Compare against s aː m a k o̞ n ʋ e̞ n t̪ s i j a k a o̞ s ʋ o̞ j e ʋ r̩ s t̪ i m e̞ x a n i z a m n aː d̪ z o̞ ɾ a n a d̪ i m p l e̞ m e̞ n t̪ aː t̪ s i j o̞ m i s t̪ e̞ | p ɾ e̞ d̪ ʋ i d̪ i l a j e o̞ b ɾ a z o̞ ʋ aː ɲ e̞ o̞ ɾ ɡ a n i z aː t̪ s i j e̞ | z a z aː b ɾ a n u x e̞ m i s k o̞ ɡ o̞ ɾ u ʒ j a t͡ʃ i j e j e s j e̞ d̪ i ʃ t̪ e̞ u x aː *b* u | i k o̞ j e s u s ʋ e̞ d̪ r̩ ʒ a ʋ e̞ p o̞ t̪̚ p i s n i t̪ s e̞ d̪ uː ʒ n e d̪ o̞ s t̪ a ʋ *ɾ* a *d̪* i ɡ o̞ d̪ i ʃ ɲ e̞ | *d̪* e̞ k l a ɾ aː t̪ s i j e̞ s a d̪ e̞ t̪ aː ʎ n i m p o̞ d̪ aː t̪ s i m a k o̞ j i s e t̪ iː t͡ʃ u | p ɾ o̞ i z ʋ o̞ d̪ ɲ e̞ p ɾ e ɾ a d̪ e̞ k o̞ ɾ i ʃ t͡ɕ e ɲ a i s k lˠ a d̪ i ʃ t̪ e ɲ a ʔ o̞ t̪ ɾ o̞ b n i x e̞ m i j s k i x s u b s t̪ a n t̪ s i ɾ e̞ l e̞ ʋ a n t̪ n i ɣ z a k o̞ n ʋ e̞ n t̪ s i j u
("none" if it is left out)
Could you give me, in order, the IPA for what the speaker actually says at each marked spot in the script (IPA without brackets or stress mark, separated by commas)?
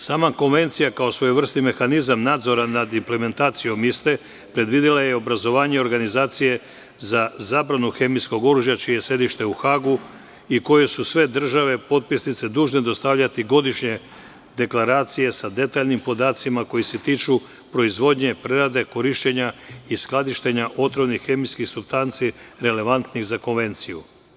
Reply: ɡ, ʎ, t̪, d̪